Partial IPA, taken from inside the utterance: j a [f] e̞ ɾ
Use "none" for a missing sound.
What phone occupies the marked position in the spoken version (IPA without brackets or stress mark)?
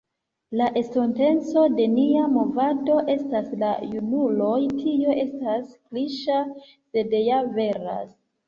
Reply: v